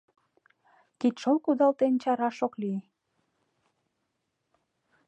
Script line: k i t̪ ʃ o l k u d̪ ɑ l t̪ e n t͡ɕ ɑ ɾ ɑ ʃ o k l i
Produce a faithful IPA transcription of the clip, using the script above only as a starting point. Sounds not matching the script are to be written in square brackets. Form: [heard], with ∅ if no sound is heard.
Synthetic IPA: k i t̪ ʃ o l k u d̪ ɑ l t̪ e n t͡ɕ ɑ ɾ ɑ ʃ o k l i